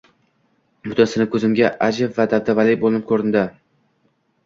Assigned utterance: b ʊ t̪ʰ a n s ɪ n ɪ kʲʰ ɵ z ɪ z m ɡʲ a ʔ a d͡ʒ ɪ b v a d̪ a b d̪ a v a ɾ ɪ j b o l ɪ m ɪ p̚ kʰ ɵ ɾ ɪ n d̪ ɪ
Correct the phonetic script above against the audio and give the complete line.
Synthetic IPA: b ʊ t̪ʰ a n s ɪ n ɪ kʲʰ ɵ z ɪ m ɡʲ a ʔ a d͡ʒ ɪ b v a d̪ a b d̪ a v a l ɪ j b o l ɪ n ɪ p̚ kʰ ɵ ɾ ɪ n d̪ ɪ